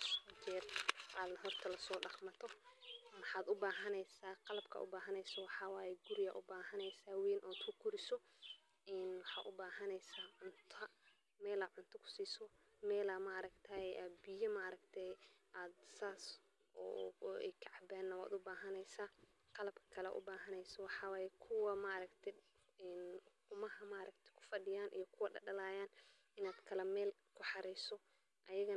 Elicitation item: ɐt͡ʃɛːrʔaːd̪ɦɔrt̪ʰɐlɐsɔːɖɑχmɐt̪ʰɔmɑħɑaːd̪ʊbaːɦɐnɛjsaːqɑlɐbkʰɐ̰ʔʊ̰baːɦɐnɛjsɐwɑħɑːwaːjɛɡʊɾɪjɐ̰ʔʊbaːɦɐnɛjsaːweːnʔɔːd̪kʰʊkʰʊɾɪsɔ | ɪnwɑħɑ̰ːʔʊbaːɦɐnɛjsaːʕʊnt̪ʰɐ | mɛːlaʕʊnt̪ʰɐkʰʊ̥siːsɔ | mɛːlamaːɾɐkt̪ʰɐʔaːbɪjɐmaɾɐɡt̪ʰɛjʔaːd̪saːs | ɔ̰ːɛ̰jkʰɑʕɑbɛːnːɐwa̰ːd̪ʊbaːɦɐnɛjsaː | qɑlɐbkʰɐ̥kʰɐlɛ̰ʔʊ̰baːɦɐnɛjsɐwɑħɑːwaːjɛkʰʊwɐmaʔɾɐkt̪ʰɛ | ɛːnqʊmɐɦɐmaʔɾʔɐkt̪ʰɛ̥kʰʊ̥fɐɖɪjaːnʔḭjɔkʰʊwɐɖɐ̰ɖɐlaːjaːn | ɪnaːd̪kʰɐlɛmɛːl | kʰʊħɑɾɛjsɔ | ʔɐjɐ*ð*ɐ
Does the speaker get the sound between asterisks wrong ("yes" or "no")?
yes